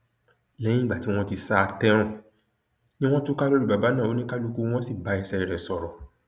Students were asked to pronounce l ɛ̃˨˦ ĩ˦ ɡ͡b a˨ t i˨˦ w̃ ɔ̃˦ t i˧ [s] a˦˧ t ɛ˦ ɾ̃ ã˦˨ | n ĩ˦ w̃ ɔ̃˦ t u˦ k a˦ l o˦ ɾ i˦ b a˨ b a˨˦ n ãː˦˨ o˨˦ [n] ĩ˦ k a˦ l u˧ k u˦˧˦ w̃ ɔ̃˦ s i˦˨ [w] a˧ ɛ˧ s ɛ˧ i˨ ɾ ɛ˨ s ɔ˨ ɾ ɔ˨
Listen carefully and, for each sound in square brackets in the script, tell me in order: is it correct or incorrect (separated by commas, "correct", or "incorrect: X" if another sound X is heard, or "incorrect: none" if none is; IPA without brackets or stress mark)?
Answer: correct, correct, incorrect: b